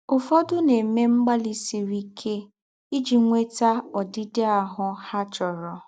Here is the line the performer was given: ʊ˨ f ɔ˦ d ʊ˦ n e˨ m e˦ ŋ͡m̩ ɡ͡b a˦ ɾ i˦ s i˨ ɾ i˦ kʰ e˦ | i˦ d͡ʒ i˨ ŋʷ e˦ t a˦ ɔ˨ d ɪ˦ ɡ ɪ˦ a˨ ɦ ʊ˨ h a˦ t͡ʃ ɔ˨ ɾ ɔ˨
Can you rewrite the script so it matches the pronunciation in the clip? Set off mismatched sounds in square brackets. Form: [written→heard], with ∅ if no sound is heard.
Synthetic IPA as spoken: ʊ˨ f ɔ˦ d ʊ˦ n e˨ m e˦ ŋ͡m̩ ɡ͡b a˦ [ɾ→l] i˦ s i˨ ɾ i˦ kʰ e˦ | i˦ d͡ʒ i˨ ŋʷ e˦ t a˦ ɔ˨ d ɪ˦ [ɡ→d] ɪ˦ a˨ ɦ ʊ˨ h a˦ t͡ʃ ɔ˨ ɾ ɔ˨